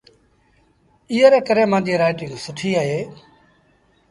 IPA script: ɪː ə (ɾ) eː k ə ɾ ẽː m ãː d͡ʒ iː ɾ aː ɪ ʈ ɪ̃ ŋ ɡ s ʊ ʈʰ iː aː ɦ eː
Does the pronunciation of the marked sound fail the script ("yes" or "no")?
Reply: no